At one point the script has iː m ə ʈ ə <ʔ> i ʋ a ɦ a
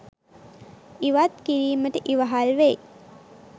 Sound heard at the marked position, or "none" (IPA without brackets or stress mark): ʔ